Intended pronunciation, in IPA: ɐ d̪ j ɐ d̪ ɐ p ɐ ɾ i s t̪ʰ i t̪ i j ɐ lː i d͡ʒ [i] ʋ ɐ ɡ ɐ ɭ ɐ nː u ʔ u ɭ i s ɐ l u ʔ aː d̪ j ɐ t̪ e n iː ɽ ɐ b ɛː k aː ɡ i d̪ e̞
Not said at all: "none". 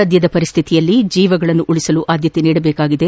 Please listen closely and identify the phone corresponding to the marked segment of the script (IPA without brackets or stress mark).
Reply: iː